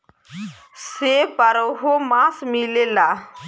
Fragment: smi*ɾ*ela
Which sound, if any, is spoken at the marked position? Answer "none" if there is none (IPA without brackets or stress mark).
l